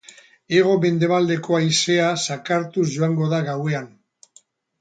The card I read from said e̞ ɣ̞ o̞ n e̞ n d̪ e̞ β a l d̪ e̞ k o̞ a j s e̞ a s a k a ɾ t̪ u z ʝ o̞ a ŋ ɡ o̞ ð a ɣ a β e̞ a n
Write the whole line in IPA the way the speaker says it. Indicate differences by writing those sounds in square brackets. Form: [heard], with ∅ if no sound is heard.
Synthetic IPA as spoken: e̞ ɣ̞ o̞ [m] e̞ n d̪ e̞ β a l d̪ e̞ k o̞ a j s e̞ a s a k a ɾ t̪ u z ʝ o̞ a ŋ ɡ o̞ ð a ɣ a [w] e̞ a n